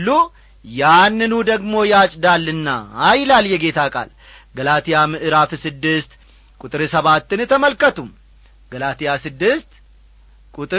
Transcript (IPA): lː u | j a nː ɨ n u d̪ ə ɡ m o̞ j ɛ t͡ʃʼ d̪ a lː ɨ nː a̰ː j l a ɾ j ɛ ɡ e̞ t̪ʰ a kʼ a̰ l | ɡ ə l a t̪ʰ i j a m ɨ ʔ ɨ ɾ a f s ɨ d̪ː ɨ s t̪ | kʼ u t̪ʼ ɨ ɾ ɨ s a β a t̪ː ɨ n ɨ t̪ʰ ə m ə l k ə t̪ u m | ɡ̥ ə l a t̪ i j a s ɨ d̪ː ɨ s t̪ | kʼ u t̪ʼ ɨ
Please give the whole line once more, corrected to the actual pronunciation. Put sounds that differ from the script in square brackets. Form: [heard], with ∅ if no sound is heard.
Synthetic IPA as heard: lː u | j a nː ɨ n u d̪ ə ɡ m o̞ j [a] t͡ʃʼ d̪ a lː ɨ nː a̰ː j l a [l] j ɛ ɡ e̞ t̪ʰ a kʼ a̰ l | ɡ ə l a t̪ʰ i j a m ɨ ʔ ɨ ɾ a f s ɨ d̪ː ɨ s t̪ | kʼ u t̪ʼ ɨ ɾ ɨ s [ə] β a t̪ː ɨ n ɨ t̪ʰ ə m ə l k ə t̪ u m | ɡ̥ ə l a t̪ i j a s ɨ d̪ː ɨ s t̪ | kʼ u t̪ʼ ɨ